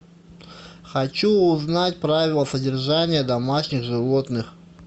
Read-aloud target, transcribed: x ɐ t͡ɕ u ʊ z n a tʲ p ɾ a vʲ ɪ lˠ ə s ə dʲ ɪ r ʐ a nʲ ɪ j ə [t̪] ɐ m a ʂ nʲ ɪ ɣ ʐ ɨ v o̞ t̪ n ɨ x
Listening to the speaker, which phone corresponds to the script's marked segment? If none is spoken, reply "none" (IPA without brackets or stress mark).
d̪